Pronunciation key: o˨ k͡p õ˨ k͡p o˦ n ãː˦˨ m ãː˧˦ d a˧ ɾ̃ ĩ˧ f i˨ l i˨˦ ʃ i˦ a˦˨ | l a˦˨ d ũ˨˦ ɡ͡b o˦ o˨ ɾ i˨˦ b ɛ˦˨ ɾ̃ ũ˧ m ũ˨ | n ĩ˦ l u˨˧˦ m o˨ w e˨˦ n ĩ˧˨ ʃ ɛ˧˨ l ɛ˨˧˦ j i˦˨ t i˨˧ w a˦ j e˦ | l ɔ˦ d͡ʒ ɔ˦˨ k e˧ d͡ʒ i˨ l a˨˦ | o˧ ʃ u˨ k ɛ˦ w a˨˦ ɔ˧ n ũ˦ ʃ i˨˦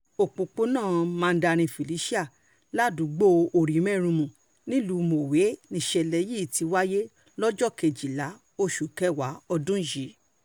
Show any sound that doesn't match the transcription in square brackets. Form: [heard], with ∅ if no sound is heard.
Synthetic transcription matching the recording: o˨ k͡p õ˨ k͡p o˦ n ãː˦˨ m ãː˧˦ d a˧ ɾ̃ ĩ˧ f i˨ l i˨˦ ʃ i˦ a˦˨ | l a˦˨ d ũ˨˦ ɡ͡b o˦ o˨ ɾ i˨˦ [m] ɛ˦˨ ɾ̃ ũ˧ m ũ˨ | n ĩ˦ l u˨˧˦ m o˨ w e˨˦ n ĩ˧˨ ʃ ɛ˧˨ l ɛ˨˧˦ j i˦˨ t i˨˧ w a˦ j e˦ | l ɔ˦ d͡ʒ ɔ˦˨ k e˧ d͡ʒ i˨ l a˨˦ | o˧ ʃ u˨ k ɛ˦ w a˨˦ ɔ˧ [d] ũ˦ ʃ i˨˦